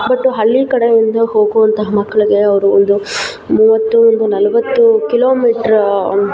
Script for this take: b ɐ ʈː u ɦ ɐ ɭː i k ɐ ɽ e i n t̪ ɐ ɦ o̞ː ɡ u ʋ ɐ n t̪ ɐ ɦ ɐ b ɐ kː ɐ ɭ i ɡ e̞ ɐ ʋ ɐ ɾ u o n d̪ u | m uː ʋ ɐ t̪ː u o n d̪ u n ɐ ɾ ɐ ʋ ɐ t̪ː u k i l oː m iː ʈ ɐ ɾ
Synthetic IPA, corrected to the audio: b ɐ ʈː u ɦ ɐ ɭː i k ɐ ɽ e i n d̪ ɐ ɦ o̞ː ɡ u ʋ ɐ n t̪ ɐ ɦ ɐ m ɐ kː ɐ ɭ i ɡ e̞ ɐ ʋ ɐ ɾ u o n d̪ u | m uː ʋ ɐ t̪ː u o n d̪ u n ɐ l ɐ ʋ ɐ t̪ː u k i l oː m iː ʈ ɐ ɾ